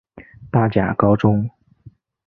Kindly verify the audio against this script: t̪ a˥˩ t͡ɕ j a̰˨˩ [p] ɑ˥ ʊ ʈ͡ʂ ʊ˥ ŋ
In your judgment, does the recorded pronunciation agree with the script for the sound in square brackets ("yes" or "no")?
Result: no